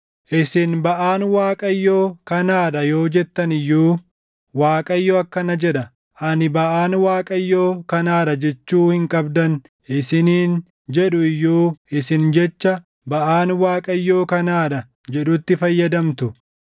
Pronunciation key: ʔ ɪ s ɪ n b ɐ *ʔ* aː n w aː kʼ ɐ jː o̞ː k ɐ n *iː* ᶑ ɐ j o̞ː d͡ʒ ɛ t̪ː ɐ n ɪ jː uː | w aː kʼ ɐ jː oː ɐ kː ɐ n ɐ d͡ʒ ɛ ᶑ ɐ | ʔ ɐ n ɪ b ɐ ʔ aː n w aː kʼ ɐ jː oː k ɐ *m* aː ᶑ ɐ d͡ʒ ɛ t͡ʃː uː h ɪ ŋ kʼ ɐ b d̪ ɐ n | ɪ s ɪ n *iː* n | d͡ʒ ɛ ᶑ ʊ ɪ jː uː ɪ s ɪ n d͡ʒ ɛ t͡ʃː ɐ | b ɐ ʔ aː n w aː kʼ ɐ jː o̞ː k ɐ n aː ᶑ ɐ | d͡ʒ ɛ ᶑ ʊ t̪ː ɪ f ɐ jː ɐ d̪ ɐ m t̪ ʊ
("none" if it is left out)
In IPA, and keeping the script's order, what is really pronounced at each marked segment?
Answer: ʔ, aː, n, iː

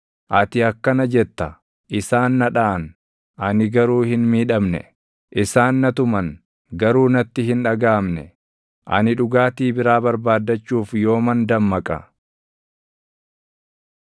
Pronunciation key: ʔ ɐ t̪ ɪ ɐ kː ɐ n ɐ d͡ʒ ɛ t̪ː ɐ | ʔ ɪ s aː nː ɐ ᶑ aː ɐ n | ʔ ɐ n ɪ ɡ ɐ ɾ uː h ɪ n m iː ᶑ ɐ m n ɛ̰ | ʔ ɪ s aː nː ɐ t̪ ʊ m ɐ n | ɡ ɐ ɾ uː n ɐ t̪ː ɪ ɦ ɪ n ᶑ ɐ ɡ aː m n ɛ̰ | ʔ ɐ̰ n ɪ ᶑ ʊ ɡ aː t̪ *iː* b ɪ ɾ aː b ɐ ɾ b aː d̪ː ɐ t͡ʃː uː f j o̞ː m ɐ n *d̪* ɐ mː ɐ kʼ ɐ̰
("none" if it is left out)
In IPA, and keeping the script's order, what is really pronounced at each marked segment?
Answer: iː, d̪

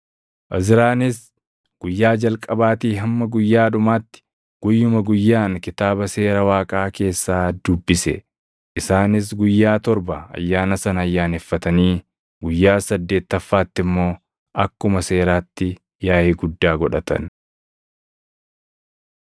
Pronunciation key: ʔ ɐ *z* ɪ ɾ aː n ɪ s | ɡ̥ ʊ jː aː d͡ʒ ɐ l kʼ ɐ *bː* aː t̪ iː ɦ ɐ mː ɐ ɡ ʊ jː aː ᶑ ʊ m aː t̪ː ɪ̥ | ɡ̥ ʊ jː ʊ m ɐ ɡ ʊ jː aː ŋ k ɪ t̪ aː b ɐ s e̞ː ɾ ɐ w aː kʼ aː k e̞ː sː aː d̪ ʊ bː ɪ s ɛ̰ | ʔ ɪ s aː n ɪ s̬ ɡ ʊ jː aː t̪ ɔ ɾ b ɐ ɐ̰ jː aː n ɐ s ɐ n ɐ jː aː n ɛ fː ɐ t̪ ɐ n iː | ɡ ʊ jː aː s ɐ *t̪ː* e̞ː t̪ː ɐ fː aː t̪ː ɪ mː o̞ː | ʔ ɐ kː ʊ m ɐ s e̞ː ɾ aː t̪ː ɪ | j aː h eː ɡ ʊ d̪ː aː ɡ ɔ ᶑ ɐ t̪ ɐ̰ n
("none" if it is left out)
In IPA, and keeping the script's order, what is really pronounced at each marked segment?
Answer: z, b, d̪ː

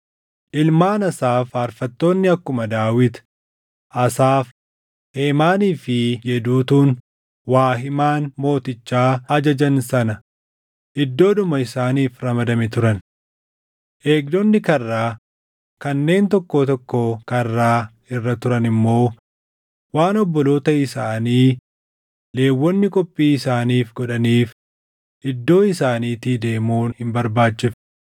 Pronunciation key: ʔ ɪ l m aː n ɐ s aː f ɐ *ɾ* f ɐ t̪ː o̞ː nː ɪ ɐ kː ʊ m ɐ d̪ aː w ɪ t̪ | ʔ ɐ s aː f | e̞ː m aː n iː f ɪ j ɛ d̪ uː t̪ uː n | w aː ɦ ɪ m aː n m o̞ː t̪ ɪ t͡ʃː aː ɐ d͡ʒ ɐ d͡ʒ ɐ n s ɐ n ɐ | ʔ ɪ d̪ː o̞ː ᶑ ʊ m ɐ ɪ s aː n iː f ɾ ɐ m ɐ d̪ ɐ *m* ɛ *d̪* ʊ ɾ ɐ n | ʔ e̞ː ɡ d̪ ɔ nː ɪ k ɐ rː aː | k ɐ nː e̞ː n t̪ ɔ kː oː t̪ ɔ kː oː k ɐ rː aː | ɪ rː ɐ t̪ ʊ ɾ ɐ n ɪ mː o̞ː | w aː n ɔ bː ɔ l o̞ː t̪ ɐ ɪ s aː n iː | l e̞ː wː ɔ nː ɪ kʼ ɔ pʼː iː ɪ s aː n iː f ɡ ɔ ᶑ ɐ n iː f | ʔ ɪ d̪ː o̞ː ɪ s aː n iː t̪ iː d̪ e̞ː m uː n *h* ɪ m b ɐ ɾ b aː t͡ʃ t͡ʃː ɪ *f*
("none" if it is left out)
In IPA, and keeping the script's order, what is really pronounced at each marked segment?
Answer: ɾ, m, t̪, h, f

